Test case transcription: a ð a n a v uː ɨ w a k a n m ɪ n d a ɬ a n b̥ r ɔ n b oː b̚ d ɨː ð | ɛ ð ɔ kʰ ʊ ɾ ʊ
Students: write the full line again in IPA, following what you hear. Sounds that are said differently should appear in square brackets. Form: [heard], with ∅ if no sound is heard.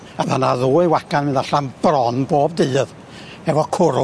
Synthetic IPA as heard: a ð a n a [ð] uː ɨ w a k a n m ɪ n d a ɬ a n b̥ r ɔ n b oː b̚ d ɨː ð | ɛ [v] ɔ kʰ ʊ ɾ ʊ